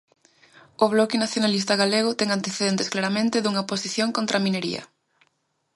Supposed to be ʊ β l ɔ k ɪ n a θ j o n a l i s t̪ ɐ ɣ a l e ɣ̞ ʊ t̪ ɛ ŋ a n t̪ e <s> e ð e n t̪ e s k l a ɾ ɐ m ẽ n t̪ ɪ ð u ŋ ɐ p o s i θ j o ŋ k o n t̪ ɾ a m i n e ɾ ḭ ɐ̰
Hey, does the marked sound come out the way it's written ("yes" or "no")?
no